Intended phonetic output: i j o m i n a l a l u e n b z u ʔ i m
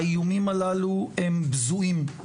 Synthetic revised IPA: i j u m i m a l a l u e m b z u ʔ i m